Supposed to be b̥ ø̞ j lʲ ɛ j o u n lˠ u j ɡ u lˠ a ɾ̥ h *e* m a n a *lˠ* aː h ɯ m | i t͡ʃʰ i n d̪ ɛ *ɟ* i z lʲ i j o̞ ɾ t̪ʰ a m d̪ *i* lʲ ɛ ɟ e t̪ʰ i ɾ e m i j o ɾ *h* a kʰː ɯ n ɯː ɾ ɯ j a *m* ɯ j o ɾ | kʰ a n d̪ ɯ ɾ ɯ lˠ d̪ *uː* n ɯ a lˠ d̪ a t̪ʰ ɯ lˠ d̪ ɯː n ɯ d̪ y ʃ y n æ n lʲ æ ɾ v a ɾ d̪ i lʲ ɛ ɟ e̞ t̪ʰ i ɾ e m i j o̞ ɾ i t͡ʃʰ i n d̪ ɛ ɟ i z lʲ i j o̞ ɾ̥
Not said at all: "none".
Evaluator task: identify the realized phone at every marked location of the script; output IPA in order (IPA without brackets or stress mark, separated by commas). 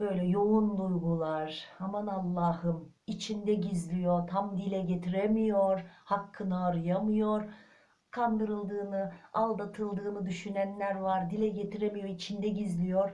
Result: a, lˠː, ɟ, i, h, m, ɯː